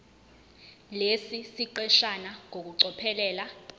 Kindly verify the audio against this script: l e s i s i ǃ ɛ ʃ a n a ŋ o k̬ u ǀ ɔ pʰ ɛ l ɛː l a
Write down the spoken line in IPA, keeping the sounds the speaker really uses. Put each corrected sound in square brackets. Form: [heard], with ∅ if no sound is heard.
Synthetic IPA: l e s i s i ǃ ɛ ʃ a n a ŋ o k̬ u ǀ ɔ pʰ ɛ l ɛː l a